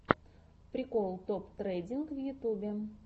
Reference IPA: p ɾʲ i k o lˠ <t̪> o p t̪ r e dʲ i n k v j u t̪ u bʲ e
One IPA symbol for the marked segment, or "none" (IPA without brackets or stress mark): t̪